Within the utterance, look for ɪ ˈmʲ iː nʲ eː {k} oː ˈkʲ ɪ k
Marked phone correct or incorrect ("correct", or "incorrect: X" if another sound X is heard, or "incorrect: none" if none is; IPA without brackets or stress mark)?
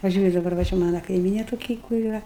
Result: incorrect: t